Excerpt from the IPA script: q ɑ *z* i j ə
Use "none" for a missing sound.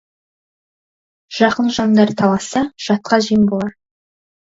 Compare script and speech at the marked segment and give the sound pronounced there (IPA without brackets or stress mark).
ʒ